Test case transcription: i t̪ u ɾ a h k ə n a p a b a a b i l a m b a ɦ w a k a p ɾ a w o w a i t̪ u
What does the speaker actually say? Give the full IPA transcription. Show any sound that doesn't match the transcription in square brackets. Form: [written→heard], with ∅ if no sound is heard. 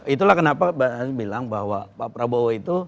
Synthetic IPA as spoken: i t̪ u [ɾ→l] a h k ə n a p a b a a b i l a [m→ŋ] b a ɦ w a [k→p] a p ɾ a [w→b] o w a i t̪ u